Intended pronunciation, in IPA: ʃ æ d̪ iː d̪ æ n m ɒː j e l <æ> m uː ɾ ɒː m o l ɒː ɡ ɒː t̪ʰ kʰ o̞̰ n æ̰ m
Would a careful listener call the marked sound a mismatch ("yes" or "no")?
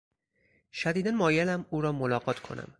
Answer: no